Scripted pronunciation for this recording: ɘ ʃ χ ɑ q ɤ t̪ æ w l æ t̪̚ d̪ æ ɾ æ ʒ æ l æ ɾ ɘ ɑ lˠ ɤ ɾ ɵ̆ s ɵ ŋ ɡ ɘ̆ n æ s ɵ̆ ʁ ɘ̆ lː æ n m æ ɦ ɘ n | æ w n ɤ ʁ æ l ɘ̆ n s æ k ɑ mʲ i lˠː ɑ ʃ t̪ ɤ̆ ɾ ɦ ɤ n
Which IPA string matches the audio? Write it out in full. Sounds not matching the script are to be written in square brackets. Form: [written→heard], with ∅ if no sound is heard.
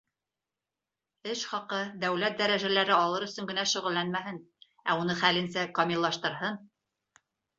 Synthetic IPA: ɘ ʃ χ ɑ q ɤ [t̪→d̪] æ w l æ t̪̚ d̪ æ ɾ æ ʒ æ l æ ɾ ɘ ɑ lˠ ɤ ɾ ɵ̆ s ɵ ŋ ɡ ɘ̆ n æ [s→ʃ] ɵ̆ ʁ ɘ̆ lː æ n m æ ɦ ɘ n | æ [w→u] n ɤ [ʁ→χ] æ l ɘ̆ n s æ k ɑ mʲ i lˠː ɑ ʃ t̪ ɤ̆ ɾ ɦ ɤ n